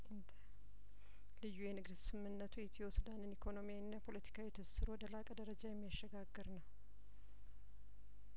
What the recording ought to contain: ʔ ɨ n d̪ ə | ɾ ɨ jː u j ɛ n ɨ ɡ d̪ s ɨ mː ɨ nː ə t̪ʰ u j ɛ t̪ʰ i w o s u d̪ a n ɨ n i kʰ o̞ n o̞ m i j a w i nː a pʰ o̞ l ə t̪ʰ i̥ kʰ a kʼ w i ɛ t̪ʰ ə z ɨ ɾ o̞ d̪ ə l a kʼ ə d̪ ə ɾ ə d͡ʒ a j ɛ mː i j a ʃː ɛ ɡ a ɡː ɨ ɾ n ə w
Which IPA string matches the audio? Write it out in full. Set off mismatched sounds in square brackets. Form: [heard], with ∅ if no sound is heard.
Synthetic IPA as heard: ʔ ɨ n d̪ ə | [l] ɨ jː u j ɛ n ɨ ɡ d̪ s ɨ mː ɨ nː ə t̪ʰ u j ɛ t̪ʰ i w o s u d̪ a n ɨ n i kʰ o̞ n o̞ m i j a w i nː a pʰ o̞ l ə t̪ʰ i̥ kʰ a [∅] w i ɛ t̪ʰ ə [s] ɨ ɾ o̞ d̪ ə l a kʼ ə d̪ ə ɾ ə d͡ʒ a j ɛ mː i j a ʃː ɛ ɡ a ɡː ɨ ɾ n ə w